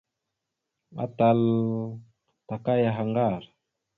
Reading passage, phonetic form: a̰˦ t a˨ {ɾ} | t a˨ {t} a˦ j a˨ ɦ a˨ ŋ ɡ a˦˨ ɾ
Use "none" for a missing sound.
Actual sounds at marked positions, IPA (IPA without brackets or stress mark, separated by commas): l, k